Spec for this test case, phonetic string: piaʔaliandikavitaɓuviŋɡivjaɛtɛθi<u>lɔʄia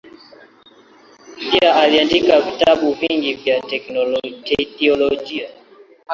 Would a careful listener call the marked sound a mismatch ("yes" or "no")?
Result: yes